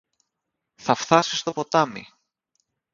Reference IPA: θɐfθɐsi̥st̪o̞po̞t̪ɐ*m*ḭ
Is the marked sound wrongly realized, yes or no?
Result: no